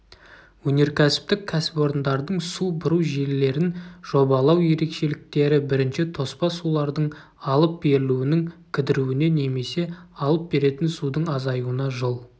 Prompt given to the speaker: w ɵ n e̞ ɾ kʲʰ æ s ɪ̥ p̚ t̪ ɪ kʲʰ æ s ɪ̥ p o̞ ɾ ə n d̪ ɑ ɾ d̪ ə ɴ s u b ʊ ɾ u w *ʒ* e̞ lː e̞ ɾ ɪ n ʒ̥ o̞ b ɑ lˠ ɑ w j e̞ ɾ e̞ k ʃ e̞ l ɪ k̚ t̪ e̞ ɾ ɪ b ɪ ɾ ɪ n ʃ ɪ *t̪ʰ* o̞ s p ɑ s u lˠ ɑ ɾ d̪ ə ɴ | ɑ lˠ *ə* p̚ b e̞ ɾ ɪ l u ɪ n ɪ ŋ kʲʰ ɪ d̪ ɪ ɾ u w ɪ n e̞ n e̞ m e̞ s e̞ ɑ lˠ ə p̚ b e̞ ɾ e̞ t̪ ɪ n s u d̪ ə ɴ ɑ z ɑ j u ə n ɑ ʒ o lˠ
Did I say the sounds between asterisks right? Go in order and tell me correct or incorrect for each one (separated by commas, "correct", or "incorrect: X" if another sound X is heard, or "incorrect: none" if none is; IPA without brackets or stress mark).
correct, correct, correct